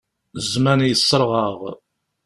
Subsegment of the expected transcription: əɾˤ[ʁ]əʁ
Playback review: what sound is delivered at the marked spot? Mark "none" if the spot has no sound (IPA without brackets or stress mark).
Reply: ʁ